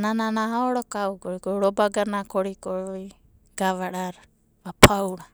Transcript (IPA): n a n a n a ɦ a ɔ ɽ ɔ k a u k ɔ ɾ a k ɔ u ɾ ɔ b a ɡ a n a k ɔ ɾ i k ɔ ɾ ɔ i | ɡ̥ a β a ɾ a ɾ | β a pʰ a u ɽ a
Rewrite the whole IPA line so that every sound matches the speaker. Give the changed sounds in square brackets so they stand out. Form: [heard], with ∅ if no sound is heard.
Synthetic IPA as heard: n a n a n a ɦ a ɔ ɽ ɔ k a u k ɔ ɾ [i] k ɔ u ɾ ɔ b a ɡ a n a k ɔ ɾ i k ɔ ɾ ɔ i | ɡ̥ a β a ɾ a ɾ | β a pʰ a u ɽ a